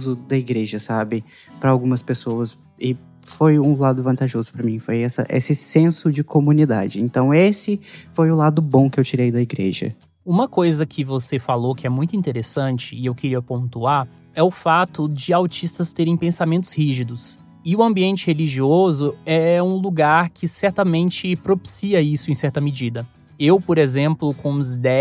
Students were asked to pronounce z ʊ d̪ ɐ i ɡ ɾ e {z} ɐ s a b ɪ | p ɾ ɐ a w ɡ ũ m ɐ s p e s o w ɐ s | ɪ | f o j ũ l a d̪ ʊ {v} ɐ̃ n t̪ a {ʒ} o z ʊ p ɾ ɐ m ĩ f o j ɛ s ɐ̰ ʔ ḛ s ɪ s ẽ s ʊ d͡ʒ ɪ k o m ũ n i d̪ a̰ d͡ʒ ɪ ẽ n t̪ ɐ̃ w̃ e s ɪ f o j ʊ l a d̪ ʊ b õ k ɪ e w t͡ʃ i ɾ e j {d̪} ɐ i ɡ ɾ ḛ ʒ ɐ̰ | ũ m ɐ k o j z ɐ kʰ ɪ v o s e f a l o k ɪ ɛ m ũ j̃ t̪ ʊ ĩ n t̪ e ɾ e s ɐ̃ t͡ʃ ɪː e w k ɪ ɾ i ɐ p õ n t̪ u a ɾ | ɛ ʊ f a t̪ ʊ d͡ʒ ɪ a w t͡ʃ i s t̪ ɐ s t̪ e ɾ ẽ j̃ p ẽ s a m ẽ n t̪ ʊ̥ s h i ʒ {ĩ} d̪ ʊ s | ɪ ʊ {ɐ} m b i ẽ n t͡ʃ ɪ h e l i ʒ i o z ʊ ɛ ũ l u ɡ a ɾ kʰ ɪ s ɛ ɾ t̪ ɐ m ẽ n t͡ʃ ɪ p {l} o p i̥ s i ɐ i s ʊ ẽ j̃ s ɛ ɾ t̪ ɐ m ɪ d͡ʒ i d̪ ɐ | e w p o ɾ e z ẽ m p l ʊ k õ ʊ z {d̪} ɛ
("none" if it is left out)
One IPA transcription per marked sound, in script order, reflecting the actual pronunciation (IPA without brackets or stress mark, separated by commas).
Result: ʒ, v, ʒ, d̪, i, ɐ̃, ɾ, d̪